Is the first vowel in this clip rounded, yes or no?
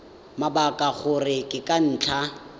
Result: no